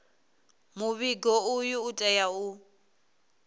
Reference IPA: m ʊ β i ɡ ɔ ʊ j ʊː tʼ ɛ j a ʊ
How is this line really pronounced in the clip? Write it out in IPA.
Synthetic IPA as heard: m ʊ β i ɡ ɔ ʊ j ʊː tʼ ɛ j a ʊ